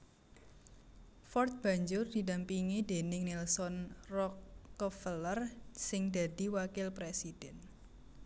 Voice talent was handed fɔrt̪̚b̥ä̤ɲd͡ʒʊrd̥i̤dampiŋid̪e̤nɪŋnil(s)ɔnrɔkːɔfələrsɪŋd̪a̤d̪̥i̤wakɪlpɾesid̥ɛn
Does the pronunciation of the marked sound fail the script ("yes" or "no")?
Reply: no